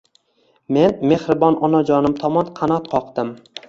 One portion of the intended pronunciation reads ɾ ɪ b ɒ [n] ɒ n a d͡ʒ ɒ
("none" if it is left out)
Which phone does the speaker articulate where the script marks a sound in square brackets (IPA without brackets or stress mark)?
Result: n